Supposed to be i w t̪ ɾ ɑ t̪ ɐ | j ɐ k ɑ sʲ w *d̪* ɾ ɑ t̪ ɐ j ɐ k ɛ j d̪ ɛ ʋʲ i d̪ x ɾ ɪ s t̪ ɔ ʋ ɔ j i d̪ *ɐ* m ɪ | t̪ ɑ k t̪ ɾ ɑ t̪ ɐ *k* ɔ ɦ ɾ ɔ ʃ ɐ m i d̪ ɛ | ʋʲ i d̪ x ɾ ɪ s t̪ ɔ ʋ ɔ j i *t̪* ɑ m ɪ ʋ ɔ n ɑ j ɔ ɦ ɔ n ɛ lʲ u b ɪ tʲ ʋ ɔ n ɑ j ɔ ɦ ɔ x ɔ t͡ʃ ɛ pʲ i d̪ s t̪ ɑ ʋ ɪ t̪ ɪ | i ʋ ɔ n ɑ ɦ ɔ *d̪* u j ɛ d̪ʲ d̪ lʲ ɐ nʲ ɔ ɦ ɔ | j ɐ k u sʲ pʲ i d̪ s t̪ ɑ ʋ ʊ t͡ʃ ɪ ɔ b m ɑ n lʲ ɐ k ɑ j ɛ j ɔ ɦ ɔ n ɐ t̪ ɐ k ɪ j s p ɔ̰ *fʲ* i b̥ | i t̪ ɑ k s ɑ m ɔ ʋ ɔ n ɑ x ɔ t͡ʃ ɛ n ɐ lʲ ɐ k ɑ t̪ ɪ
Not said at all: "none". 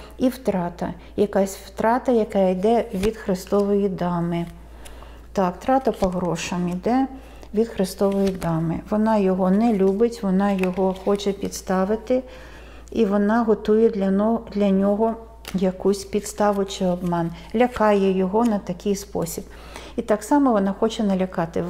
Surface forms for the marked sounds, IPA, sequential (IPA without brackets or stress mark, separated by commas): t̪, ɑ, p, d̪, t̪, sʲ